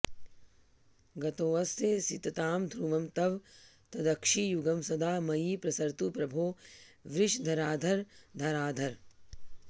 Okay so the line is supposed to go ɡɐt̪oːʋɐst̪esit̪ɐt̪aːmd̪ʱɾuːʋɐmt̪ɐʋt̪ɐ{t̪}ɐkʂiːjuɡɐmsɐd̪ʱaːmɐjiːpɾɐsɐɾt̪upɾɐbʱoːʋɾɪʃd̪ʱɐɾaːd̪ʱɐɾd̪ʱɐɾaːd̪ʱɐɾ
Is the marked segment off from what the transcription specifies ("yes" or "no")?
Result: yes